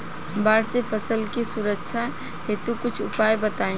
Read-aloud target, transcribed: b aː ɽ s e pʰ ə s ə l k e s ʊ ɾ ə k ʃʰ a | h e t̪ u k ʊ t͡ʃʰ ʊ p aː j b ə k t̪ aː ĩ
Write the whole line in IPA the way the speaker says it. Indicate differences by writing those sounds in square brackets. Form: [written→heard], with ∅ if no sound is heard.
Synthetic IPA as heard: b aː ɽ s e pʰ ə s ə l k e s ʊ ɾ ə k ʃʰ a | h e t̪ u k ʊ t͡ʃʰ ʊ p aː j b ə [k→∅] t̪ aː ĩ